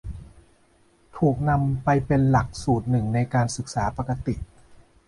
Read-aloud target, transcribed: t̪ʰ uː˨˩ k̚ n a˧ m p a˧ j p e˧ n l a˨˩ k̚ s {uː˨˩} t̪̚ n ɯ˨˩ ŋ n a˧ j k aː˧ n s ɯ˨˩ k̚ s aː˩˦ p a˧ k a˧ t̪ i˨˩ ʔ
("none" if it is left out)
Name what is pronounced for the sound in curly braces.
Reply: uː˨˩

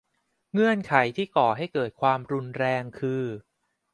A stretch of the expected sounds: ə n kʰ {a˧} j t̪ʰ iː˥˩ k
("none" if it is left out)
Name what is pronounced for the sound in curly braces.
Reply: a˩˦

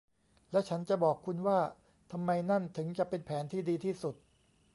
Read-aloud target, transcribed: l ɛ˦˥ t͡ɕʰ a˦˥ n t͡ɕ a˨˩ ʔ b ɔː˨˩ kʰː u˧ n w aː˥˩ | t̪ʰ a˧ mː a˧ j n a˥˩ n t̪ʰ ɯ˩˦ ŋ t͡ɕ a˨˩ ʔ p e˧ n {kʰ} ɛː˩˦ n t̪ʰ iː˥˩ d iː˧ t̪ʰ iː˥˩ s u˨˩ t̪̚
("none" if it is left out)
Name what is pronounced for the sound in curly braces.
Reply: pʰ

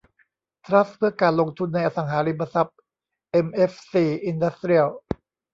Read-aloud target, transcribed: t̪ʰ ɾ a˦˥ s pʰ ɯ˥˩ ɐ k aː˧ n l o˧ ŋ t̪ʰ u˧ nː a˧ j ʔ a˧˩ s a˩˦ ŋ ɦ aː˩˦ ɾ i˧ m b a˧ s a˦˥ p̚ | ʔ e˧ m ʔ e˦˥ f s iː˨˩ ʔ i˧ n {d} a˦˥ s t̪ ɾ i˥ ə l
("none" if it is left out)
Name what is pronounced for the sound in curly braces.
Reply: d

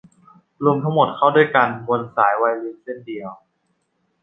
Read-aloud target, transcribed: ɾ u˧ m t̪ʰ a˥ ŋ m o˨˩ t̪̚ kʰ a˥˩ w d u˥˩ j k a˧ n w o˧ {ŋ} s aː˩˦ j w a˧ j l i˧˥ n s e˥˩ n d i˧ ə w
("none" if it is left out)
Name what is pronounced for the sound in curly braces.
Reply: n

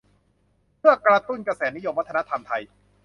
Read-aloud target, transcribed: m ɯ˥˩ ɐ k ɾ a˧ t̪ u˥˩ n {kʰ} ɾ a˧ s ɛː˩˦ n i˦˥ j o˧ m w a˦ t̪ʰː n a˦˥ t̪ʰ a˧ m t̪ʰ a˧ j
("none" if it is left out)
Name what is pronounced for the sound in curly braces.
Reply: k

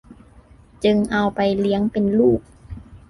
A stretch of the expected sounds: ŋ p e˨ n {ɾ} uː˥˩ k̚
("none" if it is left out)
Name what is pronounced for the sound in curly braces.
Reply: l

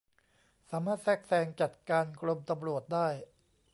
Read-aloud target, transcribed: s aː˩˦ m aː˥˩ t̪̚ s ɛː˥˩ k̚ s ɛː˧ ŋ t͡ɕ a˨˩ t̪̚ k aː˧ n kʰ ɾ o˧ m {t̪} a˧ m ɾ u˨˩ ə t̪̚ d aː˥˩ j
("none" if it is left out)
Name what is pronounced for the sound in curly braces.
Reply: t̪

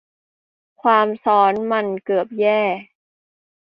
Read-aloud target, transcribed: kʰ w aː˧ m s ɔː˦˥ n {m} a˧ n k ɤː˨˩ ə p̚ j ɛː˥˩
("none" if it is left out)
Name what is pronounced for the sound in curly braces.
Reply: m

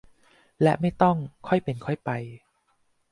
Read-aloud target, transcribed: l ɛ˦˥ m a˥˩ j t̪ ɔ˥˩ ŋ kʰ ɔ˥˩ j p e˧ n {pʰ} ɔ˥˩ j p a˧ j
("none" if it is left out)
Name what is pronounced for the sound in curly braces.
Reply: kʰ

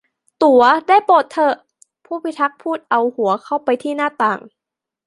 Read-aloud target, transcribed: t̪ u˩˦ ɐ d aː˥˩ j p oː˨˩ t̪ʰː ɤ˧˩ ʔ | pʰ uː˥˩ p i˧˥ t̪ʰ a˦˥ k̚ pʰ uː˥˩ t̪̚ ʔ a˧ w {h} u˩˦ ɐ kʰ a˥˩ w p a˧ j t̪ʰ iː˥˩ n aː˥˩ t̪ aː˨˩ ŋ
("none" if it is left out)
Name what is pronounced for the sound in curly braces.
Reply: h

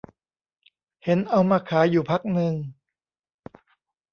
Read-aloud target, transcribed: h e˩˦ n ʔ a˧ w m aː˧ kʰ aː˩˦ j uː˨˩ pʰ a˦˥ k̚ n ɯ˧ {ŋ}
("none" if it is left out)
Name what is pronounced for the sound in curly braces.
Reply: ŋ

